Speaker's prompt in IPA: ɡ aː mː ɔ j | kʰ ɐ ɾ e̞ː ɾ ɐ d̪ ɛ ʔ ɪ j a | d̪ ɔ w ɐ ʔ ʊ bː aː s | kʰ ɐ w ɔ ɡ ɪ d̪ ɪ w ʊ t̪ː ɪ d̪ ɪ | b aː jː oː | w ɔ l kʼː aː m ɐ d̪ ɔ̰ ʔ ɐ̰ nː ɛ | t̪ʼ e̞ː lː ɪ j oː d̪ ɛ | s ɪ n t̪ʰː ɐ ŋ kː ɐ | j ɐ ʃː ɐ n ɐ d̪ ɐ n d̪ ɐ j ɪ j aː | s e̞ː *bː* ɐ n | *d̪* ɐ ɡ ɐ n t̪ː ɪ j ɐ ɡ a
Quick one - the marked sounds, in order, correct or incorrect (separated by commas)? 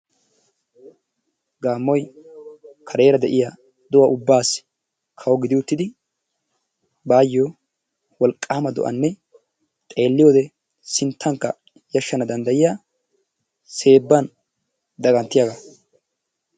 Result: correct, correct